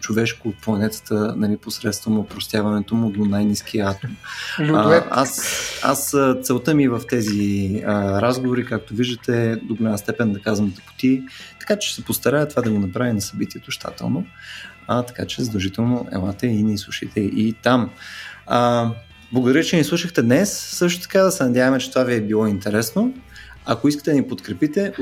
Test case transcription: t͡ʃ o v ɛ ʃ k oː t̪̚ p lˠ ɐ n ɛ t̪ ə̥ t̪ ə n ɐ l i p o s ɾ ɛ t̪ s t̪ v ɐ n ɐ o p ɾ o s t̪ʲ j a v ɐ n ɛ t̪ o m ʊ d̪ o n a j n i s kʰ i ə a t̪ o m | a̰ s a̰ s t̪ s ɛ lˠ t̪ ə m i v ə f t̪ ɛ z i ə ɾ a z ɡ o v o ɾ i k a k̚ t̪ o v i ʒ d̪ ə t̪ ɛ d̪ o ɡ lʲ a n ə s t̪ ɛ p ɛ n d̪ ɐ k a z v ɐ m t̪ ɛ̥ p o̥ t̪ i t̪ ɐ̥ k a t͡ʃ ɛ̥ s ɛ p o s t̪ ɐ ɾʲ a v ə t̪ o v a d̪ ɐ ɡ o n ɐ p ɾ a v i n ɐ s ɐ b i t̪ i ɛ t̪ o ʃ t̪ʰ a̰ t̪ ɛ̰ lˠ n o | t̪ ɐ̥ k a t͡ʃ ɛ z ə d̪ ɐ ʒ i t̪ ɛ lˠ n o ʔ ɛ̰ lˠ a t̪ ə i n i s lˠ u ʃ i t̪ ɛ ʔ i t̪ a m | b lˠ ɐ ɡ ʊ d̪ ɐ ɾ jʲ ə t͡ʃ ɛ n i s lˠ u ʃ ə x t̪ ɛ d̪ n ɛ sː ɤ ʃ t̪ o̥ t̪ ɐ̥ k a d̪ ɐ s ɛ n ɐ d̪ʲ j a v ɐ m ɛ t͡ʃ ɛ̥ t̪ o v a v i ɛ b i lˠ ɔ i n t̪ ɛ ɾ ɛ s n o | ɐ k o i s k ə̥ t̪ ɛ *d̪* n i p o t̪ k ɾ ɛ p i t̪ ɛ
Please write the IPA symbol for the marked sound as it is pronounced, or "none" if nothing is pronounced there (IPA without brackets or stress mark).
d̪